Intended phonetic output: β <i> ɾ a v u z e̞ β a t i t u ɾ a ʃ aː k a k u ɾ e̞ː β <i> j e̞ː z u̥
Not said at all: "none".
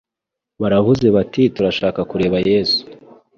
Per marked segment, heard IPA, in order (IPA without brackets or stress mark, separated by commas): a, a